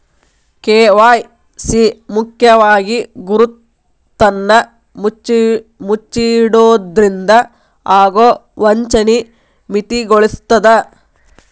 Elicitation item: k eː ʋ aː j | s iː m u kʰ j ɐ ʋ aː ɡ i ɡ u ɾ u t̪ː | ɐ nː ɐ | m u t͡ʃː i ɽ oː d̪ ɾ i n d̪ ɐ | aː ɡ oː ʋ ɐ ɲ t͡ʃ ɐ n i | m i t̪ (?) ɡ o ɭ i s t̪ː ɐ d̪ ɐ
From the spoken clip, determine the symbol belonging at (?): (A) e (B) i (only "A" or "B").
B